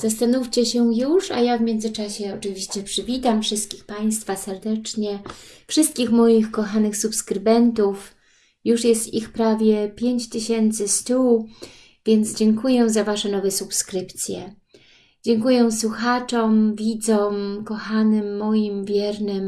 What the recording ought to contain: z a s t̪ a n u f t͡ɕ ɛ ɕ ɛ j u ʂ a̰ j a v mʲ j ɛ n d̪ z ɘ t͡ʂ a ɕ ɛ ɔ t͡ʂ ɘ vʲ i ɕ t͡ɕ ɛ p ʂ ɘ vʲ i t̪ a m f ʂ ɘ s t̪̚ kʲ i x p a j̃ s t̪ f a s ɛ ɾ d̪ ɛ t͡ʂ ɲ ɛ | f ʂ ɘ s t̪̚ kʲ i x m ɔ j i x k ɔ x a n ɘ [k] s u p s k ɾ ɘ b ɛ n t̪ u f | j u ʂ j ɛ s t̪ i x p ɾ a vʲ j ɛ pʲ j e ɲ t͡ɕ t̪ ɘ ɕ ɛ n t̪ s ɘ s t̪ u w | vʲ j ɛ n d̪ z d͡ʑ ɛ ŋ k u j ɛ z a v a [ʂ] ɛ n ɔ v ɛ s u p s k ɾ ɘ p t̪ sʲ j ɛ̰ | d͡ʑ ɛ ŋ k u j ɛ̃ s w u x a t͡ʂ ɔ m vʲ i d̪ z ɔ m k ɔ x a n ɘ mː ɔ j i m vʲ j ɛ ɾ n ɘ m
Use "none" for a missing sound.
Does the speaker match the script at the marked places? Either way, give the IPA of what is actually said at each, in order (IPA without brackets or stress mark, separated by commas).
x, ʂ